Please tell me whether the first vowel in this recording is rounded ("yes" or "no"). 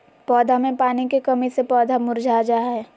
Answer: yes